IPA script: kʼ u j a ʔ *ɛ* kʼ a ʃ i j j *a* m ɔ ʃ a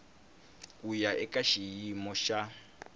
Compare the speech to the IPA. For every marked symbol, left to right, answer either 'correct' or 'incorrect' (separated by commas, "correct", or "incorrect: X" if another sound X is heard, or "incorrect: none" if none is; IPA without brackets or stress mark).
correct, incorrect: i